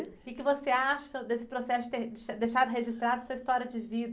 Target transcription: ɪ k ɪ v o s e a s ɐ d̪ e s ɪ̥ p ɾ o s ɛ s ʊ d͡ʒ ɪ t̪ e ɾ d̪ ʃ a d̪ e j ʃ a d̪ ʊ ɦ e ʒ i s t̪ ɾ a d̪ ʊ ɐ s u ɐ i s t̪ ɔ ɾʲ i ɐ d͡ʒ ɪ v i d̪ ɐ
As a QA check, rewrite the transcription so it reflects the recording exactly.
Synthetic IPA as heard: ɪ k ɪ v o s e a ʃ ɐ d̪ e s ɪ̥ p ɾ o s ɛ s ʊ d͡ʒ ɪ t̪ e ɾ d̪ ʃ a d̪ e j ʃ a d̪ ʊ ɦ e ʒ i s t̪ ɾ a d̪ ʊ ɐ s u ɐ i s t̪ ɔ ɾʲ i ɐ d͡ʒ ɪ v i d̪ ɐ